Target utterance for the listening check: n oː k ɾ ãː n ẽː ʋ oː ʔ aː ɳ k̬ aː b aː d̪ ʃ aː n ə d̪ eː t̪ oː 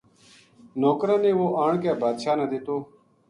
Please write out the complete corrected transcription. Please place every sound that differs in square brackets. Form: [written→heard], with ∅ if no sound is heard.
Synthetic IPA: n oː k ɾ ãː n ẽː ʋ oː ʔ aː ɳ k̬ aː b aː d̪ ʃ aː n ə d̪ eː t̪ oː